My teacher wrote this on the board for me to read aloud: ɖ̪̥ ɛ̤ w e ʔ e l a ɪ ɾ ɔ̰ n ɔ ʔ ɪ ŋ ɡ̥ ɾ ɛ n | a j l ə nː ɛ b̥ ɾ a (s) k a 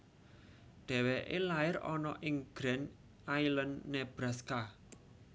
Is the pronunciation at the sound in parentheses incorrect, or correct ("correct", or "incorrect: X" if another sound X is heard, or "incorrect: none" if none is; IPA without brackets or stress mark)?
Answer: correct